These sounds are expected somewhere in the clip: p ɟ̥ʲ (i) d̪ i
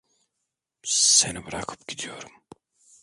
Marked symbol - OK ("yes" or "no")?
yes